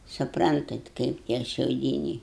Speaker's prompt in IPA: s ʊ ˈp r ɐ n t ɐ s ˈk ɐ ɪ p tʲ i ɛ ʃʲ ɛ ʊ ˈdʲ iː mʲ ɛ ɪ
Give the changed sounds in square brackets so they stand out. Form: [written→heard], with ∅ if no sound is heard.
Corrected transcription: s ʊ ˈp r ɐ n t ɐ [s→t] ˈk ɐ ɪ p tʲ i ɛ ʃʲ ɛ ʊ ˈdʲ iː [mʲ→nʲ] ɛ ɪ